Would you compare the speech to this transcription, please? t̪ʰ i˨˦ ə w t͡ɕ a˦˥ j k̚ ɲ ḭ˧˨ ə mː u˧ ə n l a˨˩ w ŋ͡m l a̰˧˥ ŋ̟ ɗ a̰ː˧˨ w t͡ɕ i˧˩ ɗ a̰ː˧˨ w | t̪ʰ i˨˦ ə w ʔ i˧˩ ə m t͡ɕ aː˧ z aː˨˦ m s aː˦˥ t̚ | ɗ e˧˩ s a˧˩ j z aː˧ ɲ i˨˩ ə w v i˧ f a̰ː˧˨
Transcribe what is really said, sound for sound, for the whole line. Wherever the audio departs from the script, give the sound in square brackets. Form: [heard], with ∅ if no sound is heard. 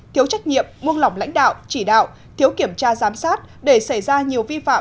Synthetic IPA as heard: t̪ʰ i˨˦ ə w t͡ɕ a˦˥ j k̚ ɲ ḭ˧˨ ə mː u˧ ə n l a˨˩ w ŋ͡m l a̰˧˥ ŋ̟ ɗ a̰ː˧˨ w t͡ɕ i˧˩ ɗ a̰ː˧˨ w | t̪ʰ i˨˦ ə w [k] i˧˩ ə m t͡ɕ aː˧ z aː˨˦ m s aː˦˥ t̚ | ɗ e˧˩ s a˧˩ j z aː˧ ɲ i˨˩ ə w v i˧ f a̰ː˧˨